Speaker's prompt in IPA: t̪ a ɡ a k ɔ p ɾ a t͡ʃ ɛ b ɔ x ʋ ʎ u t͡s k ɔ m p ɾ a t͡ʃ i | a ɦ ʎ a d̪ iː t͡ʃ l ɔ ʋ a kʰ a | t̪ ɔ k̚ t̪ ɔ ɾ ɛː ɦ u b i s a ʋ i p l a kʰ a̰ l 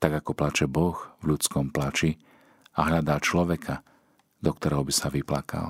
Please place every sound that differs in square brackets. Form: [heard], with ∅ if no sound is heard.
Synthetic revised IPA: t̪ a ɡ a k ɔ p [l] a t͡ʃ ɛ b ɔ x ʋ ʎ u t͡s k ɔ m p [l] a t͡ʃ i | a ɦ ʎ a d̪ [aː] t͡ʃ l ɔ ʋ [ɛ] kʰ a | [d̪] ɔ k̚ t̪ ɔ ɾ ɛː ɦ [ɔ] b i s a ʋ i p l a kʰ a̰ l